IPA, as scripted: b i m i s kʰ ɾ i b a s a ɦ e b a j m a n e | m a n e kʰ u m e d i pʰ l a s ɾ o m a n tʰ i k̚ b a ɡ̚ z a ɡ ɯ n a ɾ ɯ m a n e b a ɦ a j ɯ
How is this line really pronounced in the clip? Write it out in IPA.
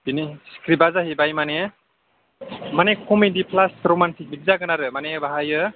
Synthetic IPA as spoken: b i n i s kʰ ɾ i b a z a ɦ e b a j m a n e | m a n e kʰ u m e d i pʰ l a s ɾ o m a n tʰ i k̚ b i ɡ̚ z a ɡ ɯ n a ɾ ɯ m a n e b a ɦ a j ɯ